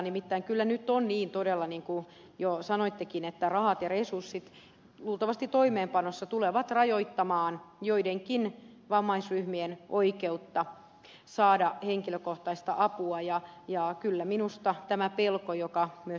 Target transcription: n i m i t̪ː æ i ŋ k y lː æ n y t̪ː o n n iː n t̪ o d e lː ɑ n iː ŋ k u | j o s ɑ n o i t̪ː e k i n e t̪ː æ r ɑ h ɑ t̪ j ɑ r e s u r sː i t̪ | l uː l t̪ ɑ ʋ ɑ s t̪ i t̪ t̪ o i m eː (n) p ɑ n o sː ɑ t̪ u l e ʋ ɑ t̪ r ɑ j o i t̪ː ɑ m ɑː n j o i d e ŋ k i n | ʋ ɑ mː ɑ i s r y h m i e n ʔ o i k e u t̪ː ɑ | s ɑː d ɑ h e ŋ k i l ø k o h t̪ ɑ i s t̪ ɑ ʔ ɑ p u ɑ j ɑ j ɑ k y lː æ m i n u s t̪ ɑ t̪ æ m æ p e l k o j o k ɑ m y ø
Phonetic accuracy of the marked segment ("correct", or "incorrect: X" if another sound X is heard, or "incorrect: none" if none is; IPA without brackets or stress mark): incorrect: m